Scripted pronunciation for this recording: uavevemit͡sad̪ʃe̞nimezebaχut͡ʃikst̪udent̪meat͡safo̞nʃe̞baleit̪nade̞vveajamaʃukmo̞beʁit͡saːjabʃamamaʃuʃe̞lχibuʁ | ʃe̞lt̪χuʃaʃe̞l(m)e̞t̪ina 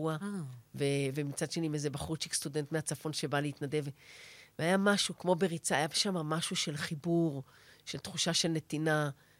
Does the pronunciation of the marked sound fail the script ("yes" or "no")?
yes